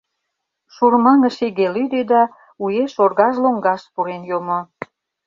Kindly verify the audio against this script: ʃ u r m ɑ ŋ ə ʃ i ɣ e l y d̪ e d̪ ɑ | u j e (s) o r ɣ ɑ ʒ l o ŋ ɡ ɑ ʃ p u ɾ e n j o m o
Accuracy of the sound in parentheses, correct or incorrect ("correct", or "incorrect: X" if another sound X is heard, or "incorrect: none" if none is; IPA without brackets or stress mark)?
incorrect: ʃ